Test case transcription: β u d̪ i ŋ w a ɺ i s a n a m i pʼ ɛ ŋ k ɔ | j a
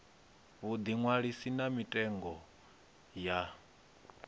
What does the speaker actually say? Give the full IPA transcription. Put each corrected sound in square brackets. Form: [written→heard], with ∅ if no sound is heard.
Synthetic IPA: β u d̪ i ŋ w a ɺ i s [a→i] n a m i [pʼ→tʼ] ɛ ŋ [k→ɡ] ɔ | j a